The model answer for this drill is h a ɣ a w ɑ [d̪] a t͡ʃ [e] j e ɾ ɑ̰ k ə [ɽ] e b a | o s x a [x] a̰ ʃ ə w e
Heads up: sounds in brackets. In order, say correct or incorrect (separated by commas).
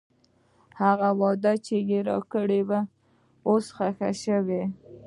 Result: correct, correct, correct, correct